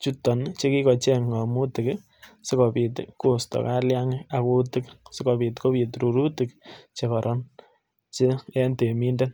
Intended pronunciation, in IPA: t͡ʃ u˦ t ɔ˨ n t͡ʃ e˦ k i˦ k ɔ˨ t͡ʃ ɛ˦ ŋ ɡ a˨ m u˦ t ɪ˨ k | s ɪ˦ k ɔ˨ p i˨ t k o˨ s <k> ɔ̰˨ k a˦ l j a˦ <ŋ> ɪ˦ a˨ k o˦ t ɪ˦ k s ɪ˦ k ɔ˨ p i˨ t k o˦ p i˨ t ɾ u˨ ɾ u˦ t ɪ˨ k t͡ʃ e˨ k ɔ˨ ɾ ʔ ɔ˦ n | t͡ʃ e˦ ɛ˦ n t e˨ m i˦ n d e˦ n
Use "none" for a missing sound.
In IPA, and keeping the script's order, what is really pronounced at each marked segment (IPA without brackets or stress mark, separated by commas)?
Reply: t, ŋ